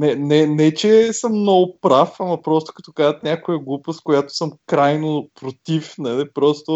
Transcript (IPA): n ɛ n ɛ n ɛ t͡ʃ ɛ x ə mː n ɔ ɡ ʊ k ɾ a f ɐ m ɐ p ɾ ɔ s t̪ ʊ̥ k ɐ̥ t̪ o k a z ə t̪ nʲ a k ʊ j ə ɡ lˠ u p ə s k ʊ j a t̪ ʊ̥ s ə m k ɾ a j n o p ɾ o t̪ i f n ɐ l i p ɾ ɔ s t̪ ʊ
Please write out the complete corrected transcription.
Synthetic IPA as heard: n ɛ n ɛ n ɛ t͡ʃ ɛ s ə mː n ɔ ɡ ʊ p ɾ a f ɐ m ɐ p ɾ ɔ s t̪ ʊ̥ k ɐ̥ t̪ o k a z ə t̪ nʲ a k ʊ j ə ɡ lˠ u p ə s k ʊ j a t̪ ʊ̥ s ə m k ɾ a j n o p ɾ o t̪ i f n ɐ l i p ɾ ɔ s t̪ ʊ